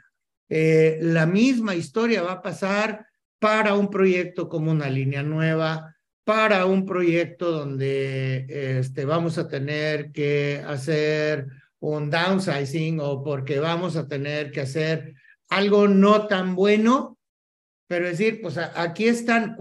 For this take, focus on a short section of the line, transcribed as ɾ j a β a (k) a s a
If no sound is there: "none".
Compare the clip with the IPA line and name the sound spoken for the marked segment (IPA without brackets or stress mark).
p